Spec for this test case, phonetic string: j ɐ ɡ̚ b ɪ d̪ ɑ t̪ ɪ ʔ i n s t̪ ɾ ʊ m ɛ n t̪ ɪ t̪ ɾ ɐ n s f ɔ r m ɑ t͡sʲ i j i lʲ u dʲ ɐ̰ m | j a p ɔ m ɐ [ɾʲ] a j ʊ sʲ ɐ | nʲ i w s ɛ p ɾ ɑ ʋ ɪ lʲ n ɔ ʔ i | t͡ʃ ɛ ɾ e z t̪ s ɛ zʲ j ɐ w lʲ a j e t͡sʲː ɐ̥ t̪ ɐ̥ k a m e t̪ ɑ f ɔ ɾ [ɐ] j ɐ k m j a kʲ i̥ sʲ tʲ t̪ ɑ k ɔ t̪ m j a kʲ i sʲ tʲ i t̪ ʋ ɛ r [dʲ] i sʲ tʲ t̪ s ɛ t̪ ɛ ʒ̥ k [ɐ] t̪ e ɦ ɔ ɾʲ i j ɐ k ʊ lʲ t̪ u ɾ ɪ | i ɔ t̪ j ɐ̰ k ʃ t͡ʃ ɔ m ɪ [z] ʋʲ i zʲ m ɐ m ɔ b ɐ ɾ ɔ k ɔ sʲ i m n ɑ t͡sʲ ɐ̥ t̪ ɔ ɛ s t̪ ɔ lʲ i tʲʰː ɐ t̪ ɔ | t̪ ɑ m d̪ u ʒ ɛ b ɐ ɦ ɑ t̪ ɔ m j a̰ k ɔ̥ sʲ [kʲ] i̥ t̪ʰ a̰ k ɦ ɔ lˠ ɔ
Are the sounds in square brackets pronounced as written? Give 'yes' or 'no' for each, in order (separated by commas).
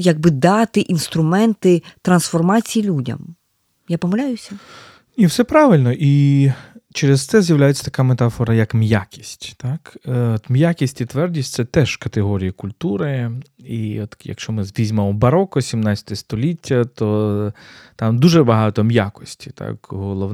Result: no, yes, yes, yes, yes, no